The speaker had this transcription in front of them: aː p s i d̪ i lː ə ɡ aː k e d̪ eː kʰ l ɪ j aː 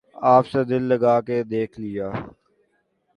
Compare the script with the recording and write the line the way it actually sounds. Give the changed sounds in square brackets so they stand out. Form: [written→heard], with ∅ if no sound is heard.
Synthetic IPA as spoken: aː p s [i→e] d̪ [i→ɪ] lː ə ɡ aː k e d̪ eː kʰ l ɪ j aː